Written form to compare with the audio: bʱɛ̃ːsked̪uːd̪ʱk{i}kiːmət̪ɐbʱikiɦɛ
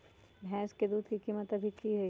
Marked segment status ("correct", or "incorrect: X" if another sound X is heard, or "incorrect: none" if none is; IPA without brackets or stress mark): correct